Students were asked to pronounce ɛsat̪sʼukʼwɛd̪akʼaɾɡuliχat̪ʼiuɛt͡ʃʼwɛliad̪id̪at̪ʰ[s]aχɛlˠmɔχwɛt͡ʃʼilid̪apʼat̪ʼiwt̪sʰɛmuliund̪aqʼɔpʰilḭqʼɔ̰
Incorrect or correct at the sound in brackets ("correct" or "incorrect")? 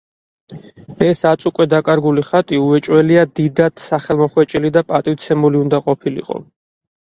correct